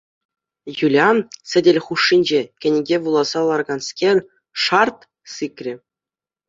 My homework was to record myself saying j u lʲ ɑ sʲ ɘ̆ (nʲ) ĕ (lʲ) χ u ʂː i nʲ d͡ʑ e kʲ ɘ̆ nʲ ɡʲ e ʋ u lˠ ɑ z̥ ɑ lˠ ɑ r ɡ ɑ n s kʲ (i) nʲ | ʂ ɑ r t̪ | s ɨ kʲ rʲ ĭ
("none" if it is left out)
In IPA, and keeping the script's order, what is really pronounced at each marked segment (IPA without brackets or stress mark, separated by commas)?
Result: dʲ, lʲ, e